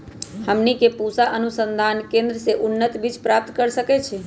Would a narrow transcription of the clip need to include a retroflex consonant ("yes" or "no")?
no